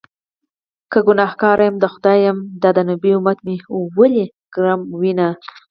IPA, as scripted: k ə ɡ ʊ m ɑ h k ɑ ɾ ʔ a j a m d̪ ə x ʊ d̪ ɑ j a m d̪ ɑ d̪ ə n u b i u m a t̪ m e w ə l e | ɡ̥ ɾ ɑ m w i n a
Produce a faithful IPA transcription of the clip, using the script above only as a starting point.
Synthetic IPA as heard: k ə ɡ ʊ n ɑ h k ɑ ɾ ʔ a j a m d̪ ə x ʊ d̪ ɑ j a m d̪ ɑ d̪ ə n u b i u m a t̪ m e w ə l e | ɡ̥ ɾ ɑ m w i n a

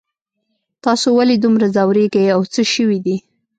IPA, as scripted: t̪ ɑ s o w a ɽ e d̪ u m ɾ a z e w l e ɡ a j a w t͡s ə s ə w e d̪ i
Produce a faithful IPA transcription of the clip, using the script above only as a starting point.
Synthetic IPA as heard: t̪ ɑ s o w a l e d̪ u m ɾ a z a w ɾ e ɡ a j a w t͡s ə ʃ ə w i d̪ i

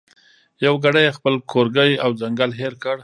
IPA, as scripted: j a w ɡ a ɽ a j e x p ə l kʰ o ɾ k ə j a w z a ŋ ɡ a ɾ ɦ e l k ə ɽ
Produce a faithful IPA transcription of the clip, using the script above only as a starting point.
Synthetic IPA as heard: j a w ɡ a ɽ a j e x p ə l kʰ o ɾ ɡ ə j a w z a ŋ ɡ a l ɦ e ɾ k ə ɽ

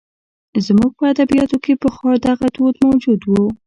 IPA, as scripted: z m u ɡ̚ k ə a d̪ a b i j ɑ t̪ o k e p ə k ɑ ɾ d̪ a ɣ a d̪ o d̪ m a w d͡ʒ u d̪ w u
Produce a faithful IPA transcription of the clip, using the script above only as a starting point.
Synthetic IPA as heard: z m u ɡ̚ p ə a d̪ a b i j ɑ t̪ o k e p ə x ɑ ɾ d̪ a ɣ a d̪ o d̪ m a w d͡ʒ u d̪ w u

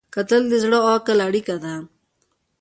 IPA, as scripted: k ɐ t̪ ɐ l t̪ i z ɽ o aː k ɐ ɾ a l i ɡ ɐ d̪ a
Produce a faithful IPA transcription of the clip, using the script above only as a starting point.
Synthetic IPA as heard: k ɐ t̪ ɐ l d̪ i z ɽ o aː k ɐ l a ɽ i k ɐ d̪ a

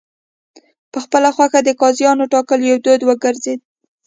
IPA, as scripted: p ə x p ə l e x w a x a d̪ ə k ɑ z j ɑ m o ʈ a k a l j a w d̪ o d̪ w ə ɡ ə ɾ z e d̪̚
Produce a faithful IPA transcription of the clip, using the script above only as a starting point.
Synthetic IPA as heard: p ə x p ə l a x w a x a d̪ ə k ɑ z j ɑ n o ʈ ɑ k ə l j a w d̪ o d̪ w ə ɡ ə ɾ z e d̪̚

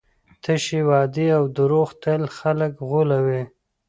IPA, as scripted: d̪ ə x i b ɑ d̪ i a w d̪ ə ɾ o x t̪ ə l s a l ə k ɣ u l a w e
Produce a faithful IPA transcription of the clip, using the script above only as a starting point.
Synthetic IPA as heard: t̪ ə ʃ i w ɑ d̪ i a w d̪ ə ɾ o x t̪ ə l x a l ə k ɣ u l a w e

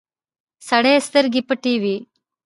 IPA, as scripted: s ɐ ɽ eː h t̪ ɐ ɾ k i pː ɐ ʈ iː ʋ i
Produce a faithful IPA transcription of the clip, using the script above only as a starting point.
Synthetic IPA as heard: s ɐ ɽ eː s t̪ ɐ ɾ ɡ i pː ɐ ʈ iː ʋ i

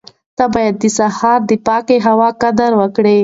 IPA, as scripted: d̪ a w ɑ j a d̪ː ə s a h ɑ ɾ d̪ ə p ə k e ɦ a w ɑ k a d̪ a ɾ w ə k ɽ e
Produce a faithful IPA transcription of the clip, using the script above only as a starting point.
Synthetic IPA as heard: t̪ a b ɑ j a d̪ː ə s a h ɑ ɾ d̪ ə p ɑ k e ɦ a w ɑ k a d̪ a ɾ w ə k ɽ e

